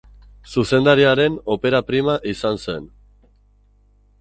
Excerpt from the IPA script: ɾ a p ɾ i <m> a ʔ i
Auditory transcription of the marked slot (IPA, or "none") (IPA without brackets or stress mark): m